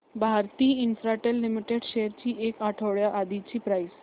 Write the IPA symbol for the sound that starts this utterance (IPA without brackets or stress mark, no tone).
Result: bʱ